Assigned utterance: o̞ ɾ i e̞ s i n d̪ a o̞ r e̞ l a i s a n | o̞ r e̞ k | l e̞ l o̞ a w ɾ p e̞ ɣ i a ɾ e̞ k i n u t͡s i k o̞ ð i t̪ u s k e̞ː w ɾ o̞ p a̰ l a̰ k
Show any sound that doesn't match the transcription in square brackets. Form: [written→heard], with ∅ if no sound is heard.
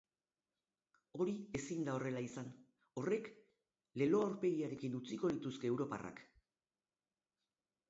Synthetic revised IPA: o̞ ɾ i e̞ s i n d̪ a o̞ r e̞ l a i s a n | o̞ r e̞ k | l e̞ l o̞ a w ɾ p e̞ ɣ i a ɾ e̞ k i n u t͡s i k o̞ ð i t̪ u s k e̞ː w ɾ o̞ p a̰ [l→r] a̰ k